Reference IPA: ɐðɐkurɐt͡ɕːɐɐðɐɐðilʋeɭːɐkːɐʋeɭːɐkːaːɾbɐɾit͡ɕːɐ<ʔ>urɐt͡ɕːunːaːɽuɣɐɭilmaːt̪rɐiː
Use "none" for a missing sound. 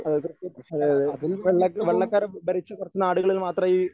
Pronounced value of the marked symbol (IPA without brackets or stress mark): k